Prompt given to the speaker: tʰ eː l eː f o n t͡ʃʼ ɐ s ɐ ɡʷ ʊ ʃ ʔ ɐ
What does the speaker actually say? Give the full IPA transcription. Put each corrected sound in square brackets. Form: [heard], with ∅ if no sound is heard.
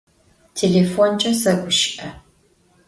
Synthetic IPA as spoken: tʰ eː l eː f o n t͡ʃʼ ɐ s ɐ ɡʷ ʊ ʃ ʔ ɐ